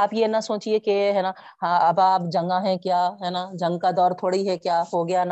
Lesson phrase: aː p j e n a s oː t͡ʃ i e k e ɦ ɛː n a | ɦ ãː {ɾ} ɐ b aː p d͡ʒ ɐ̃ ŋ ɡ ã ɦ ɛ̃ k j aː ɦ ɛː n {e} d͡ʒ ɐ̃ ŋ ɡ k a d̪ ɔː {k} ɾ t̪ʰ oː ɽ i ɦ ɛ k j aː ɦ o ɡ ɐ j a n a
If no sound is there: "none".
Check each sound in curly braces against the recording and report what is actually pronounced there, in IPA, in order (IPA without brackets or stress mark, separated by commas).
none, a, none